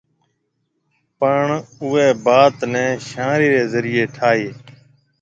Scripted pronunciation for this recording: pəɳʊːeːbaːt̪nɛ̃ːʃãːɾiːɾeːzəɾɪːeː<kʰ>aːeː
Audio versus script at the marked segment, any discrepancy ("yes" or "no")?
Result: yes